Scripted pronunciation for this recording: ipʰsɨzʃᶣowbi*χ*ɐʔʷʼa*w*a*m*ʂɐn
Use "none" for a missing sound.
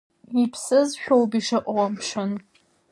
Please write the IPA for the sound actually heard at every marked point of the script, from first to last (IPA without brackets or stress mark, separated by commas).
ʂ, w, m